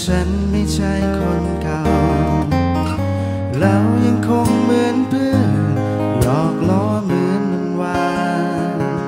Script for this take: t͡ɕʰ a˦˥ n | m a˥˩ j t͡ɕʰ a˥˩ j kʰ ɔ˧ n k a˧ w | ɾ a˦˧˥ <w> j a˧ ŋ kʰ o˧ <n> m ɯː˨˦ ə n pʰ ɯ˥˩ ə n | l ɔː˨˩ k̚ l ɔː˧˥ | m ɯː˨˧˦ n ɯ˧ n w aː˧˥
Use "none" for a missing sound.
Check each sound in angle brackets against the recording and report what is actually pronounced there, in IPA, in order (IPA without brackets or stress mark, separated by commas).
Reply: w, ŋ